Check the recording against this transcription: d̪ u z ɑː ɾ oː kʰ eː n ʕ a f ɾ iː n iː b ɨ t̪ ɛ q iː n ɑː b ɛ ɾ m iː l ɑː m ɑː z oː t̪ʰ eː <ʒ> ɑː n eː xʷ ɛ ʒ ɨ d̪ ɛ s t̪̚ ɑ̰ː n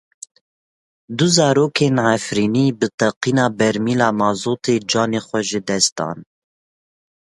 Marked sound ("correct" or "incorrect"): incorrect